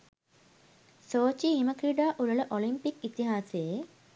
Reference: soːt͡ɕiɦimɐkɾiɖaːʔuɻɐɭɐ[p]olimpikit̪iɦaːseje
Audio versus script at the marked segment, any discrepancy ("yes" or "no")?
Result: yes